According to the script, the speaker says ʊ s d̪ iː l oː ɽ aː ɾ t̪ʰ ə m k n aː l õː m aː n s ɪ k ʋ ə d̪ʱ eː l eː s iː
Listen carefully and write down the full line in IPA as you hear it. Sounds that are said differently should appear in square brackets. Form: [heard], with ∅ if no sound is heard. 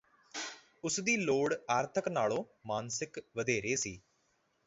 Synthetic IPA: ʊ s d̪ iː l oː ɽ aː ɾ t̪ʰ ə [∅] k n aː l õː m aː n s ɪ k ʋ ə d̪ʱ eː [ɾ] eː s iː